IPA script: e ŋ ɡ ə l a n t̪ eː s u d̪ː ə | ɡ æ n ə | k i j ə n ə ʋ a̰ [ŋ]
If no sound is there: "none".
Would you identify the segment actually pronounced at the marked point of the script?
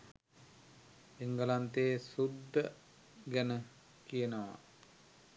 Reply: none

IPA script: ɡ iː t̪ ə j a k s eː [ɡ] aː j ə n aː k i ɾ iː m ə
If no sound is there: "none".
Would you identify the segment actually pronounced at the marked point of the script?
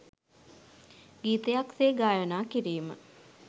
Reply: ɡ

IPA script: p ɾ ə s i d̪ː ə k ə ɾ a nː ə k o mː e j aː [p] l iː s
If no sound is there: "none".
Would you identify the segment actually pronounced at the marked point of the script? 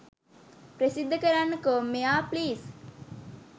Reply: p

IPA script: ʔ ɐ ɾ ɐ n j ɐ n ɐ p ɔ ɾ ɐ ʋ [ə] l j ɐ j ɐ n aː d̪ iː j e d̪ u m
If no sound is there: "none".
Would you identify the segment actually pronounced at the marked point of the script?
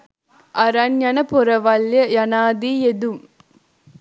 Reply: ɐ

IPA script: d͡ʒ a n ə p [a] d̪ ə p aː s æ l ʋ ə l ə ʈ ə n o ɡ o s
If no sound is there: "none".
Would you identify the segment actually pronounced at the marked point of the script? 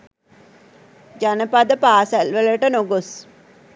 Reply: a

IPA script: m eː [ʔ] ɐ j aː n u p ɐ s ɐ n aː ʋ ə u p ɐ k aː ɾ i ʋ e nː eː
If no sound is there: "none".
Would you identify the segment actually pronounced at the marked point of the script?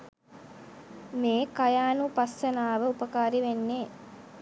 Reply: k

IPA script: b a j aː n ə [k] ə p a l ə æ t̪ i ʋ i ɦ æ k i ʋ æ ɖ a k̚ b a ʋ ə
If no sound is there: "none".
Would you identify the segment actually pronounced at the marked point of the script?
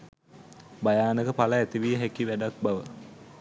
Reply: k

